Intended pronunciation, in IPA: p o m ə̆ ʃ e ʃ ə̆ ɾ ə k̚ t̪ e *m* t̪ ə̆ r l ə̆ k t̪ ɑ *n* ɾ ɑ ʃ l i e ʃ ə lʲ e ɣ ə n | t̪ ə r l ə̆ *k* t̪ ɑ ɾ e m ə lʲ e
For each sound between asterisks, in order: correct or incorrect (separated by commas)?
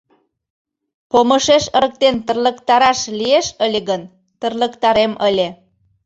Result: incorrect, incorrect, correct